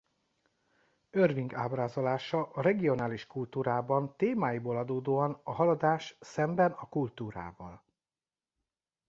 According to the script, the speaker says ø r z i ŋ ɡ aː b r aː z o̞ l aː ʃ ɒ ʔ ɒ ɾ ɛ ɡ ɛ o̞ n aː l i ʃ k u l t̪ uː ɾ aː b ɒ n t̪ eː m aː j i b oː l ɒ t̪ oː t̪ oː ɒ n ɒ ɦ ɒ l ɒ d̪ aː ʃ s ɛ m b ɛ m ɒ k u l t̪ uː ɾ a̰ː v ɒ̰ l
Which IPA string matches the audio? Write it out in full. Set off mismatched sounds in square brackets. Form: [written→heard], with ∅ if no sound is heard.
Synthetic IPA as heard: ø r [z→v] i ŋ ɡ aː b r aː z o̞ l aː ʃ ɒ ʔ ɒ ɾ ɛ ɡ [ɛ→i] o̞ n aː l i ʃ k u l t̪ uː ɾ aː b ɒ n t̪ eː m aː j i b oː l ɒ [t̪→d̪] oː [t̪→d̪] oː ɒ n ɒ ɦ ɒ l ɒ d̪ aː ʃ s ɛ m b ɛ [m→n] ɒ k u l t̪ uː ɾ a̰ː v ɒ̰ l

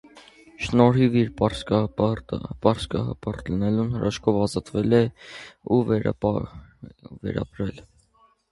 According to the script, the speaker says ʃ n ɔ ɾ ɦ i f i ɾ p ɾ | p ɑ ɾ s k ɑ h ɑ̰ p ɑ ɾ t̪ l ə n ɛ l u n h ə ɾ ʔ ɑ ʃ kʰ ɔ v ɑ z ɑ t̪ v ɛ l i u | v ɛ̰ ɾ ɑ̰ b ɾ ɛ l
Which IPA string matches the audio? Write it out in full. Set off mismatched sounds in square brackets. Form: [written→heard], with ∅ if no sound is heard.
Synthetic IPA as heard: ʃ n ɔ ɾ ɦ i [f→v] i ɾ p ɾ | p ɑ ɾ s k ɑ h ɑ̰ p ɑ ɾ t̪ l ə n ɛ l u n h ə ɾ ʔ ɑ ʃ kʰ ɔ v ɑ z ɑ t̪ v ɛ l [i→ɛ] u | v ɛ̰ ɾ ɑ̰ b ɾ ɛ l

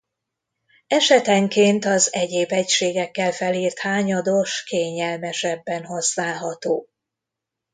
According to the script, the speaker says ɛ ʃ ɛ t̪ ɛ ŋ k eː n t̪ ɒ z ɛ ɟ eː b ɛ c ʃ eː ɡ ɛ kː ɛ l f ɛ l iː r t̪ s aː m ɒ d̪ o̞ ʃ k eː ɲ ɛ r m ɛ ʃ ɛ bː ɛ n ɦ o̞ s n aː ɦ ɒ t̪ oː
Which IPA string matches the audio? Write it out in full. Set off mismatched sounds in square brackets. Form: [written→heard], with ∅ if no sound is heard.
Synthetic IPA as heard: ɛ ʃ ɛ t̪ ɛ ŋ k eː n t̪ ɒ z ɛ ɟ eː b ɛ c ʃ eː ɡ ɛ kː ɛ l f ɛ l iː r t̪ [s→h] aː [m→ɲ] ɒ d̪ o̞ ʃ k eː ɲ ɛ [r→l] m ɛ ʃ ɛ bː ɛ n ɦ o̞ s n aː ɦ ɒ t̪ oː

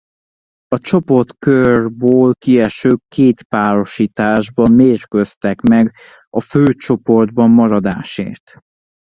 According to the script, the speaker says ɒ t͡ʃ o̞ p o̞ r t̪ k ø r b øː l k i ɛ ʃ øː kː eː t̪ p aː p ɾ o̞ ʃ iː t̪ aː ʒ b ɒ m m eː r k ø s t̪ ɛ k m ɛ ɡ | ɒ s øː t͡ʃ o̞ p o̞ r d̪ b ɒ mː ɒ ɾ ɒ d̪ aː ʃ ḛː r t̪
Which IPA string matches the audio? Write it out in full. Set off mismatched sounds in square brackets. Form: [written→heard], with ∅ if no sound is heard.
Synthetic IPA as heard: ɒ t͡ʃ o̞ p o̞ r t̪ k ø r b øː l k i ɛ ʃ øː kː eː t̪ p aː [p→∅] ɾ o̞ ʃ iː t̪ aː ʒ b ɒ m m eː r k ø s t̪ ɛ k m ɛ ɡ | ɒ [s→f] øː t͡ʃ o̞ p o̞ r d̪ b ɒ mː ɒ ɾ ɒ d̪ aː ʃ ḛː r t̪

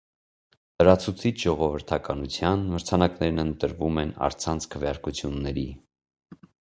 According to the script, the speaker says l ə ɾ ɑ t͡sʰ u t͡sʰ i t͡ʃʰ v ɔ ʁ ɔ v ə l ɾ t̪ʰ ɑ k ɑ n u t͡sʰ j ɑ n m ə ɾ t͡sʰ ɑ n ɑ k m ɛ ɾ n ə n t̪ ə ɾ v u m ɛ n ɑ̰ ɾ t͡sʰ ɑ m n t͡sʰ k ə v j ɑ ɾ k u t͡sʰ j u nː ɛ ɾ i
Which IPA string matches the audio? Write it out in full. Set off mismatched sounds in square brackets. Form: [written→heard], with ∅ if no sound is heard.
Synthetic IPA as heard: l ə ɾ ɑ t͡sʰ u t͡sʰ i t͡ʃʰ [v→ʒ] ɔ ʁ ɔ v ə [l→∅] ɾ t̪ʰ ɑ k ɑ n u t͡sʰ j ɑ n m ə ɾ t͡sʰ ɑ n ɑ k [m→n] ɛ ɾ n ə n t̪ ə ɾ v u m ɛ n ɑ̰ ɾ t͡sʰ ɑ [m→∅] n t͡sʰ [k→kʰ] ə v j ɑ ɾ k u t͡sʰ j u nː ɛ ɾ i

